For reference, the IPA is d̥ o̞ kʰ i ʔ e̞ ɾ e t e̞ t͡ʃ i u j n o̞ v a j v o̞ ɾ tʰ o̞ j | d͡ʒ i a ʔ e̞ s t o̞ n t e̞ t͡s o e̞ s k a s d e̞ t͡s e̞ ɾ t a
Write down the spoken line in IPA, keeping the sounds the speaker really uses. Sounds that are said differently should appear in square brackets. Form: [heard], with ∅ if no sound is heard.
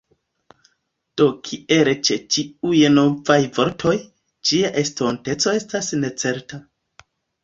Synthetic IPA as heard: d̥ o̞ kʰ i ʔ e̞ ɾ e [t͡ʃ] e̞ t͡ʃ i u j n o̞ v a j v o̞ ɾ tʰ o̞ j | d͡ʒ i a ʔ e̞ s t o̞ n t e̞ t͡s o e̞ s [t] a s [n] e̞ t͡s e̞ ɾ t a